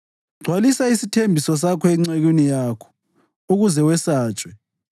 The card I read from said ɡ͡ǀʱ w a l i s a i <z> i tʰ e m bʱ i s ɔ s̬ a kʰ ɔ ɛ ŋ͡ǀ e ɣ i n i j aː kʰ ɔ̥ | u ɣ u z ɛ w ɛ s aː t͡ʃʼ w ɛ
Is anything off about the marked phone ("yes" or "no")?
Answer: yes